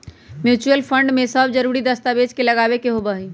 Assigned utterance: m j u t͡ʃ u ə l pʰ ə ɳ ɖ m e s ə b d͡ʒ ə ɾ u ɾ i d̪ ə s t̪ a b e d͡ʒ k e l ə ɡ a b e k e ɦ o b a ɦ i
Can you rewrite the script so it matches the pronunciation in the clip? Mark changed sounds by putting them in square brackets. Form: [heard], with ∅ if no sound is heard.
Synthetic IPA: m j u t͡ʃ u ə l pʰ ə ɳ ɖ m e s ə b d͡ʒ ə ɾ u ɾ i d̪ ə s t̪ a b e d͡ʒ k e l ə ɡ a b e k e ɦ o b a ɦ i